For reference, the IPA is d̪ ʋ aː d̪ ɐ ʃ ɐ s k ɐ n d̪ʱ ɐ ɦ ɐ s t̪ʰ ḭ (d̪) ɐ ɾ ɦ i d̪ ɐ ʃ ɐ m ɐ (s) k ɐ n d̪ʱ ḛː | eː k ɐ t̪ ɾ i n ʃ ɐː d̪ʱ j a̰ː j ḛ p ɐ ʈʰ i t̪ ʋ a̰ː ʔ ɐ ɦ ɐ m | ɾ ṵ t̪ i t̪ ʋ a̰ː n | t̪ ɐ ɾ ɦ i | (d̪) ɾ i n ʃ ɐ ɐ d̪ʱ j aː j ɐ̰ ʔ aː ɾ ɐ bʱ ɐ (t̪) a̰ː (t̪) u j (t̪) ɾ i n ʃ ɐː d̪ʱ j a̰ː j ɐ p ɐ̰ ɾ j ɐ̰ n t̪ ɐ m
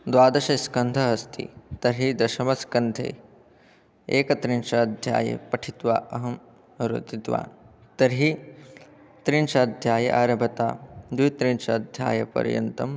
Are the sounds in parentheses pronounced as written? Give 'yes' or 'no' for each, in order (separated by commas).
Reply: no, yes, no, yes, no, yes